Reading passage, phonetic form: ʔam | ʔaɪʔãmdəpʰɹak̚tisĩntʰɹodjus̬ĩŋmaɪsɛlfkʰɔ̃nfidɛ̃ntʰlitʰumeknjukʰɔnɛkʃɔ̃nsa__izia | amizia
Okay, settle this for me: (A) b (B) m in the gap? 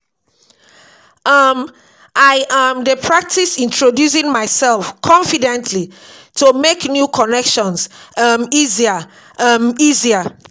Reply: B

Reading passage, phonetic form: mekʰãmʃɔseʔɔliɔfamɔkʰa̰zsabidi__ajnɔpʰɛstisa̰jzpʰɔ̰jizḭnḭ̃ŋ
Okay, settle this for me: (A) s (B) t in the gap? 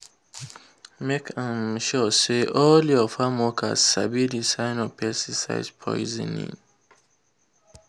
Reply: A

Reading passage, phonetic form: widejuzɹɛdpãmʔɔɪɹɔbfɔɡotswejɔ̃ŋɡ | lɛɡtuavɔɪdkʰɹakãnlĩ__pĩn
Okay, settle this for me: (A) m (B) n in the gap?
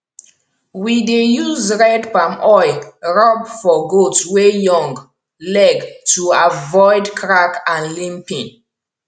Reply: A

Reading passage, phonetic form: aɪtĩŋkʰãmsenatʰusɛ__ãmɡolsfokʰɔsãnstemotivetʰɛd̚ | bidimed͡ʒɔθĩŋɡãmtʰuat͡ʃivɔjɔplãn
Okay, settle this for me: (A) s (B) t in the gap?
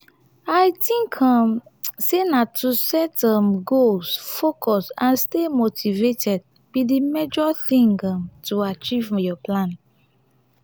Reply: B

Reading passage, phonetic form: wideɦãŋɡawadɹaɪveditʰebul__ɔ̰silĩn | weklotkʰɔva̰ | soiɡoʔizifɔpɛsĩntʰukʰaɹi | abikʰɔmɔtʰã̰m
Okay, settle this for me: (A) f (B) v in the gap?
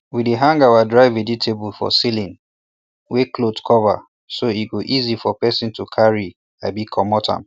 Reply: A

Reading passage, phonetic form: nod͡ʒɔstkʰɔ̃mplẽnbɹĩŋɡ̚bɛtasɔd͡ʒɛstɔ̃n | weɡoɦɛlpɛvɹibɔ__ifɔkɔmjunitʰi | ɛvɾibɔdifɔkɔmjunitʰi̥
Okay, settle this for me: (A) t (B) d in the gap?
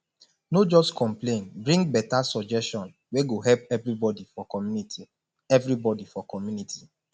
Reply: B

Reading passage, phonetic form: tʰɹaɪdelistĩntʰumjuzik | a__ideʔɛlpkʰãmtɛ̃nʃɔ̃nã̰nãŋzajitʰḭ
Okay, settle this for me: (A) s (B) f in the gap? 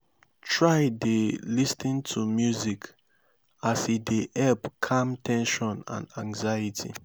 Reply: A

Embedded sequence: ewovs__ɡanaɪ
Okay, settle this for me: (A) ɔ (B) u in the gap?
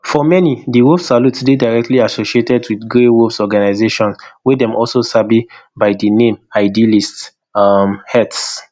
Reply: A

